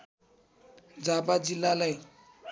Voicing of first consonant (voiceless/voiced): voiced